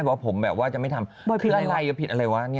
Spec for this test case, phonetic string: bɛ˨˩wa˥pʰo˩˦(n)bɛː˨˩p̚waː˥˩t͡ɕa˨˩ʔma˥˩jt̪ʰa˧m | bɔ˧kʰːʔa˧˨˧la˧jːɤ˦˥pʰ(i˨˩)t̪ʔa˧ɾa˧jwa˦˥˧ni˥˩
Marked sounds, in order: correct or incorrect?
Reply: incorrect, correct

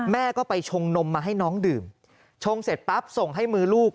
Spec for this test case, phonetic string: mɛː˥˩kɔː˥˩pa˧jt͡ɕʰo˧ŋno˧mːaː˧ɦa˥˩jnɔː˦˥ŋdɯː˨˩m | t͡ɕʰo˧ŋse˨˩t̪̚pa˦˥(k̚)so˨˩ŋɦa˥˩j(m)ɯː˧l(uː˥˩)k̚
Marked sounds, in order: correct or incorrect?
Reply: incorrect, correct, correct

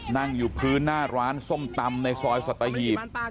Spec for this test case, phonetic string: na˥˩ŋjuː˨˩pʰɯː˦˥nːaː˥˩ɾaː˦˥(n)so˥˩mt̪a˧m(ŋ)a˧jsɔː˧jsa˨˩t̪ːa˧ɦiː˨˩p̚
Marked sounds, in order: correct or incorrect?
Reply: correct, incorrect

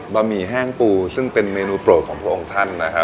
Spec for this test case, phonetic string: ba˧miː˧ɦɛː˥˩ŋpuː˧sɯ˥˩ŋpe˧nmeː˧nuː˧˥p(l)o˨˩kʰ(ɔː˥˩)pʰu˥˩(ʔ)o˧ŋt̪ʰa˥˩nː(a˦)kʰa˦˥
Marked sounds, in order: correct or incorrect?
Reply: incorrect, incorrect, correct, correct

